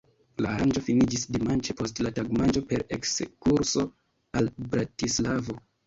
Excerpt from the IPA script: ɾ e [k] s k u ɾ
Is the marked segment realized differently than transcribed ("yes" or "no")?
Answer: no